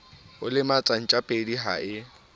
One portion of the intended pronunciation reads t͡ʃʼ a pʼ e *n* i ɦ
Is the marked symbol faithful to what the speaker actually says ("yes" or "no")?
no